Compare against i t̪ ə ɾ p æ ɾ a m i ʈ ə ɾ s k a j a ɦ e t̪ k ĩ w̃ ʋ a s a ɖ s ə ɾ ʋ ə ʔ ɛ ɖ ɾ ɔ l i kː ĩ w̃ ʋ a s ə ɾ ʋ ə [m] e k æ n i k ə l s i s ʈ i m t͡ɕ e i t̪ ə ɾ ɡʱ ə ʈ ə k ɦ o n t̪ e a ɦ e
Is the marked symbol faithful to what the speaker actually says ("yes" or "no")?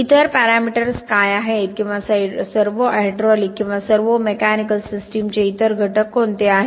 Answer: yes